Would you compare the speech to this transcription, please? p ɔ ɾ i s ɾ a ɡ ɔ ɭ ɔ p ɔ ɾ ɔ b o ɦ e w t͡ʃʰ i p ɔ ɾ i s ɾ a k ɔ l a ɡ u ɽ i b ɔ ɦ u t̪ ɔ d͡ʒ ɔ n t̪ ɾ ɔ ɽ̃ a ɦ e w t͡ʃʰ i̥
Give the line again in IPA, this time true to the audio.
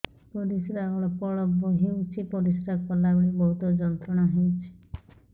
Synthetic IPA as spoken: p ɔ ɾ i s ɾ a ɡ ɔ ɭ ɔ p ɔ ɭ ɔ b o ɦ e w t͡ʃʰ i p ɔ ɾ i s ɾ a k ɔ l a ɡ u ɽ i b ɔ ɦ u t̪ ɔ d͡ʒ ɔ n t̪ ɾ ɔ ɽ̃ a ɦ e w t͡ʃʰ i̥